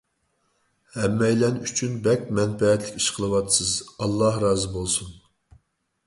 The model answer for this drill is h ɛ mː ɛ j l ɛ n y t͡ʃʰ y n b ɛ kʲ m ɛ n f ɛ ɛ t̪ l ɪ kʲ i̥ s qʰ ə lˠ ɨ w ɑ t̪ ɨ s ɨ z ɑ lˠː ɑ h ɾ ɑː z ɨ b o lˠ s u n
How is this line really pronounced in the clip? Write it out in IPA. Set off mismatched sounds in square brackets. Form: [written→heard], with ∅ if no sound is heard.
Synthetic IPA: h ɛ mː ɛ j l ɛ n y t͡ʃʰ y n b ɛ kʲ m ɛ n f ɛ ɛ t̪ l ɪ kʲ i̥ [s→ʃ] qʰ ə lˠ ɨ w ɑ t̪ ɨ s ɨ z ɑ lˠː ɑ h ɾ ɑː z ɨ b o lˠ s u n